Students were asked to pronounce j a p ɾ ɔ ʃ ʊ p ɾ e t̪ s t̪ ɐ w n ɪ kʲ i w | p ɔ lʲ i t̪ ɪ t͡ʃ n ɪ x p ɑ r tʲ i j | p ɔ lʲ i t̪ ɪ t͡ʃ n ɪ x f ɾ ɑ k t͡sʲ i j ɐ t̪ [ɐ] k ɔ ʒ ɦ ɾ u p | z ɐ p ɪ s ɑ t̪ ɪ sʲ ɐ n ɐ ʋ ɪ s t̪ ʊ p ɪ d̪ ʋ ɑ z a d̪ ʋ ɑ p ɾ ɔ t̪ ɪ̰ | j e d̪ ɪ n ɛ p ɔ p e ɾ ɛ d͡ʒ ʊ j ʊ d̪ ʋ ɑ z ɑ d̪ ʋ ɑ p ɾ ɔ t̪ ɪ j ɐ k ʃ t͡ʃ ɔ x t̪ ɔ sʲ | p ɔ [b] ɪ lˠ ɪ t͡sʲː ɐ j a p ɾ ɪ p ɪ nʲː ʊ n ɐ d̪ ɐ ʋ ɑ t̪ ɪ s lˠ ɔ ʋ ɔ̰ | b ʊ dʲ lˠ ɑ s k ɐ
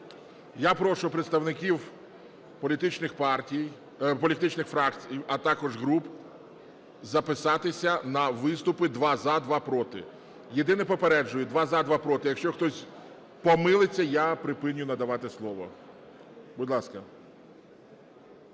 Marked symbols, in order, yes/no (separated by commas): no, no